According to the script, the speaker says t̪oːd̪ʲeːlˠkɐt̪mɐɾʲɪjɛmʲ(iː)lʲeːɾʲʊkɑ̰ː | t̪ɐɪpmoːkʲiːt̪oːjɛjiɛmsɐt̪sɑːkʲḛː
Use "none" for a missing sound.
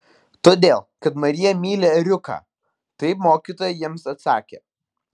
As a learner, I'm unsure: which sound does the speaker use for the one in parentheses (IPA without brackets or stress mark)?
iː